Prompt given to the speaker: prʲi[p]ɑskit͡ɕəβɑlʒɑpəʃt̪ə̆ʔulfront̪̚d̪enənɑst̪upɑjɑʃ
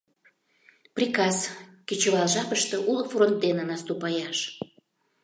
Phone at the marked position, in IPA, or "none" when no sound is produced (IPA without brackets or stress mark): k